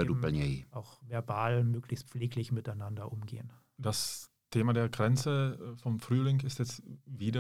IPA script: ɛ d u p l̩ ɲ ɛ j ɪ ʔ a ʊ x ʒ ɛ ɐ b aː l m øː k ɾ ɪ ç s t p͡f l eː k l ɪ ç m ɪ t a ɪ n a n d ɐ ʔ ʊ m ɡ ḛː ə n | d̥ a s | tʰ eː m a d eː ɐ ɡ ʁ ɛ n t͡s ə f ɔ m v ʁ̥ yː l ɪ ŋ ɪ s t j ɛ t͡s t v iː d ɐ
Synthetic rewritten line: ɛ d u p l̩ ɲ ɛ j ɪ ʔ a ʊ x v ɛ ɐ b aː l m øː k l ɪ ç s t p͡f l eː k l ɪ ç m ɪ t a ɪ n a n d ɐ ʔ ʊ m ɡ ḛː ə n | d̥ a s | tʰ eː m a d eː ɐ ɡ ʁ ɛ n t͡s ə f ɔ m f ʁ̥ yː l ɪ ŋ ɪ s t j ɛ t͡s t v iː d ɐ